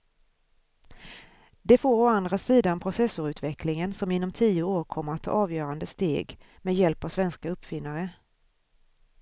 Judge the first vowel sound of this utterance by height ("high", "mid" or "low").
mid